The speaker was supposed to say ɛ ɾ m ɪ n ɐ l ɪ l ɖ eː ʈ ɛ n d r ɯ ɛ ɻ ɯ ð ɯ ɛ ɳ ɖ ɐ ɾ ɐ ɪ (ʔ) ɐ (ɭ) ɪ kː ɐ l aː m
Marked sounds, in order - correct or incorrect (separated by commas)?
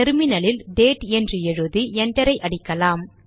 correct, incorrect